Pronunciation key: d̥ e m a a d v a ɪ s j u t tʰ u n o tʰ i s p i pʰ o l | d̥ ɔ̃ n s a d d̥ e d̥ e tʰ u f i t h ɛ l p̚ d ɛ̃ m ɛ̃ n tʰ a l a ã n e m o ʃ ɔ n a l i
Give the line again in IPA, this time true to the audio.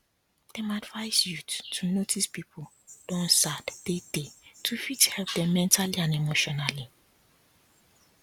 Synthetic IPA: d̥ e m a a d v a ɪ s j u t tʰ u n o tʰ i s p i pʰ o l | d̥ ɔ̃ n s a d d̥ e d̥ e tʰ u f i t h ɛ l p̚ d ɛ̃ m ɛ̃ n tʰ a l i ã n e m o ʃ ɔ n a l i